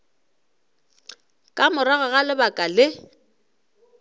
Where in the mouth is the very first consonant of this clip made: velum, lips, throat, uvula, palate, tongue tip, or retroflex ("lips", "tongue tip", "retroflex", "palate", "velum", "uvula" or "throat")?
velum